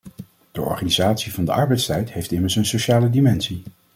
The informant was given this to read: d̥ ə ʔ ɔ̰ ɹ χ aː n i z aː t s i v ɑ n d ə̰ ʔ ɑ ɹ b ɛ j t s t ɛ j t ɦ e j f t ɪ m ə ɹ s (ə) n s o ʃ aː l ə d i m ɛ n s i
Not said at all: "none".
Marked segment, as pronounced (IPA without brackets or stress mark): ə